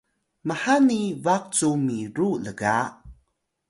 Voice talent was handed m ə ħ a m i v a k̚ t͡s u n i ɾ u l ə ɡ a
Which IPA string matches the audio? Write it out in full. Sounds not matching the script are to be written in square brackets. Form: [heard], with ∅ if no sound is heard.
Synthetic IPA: m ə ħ a [n] i v a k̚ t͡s u [m] i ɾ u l ə ɡ a